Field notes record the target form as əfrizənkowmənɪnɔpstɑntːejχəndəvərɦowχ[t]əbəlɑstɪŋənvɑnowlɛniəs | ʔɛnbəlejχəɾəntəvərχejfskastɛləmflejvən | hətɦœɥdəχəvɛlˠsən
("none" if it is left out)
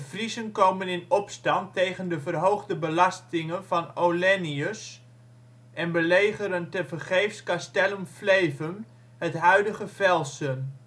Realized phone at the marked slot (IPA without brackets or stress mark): d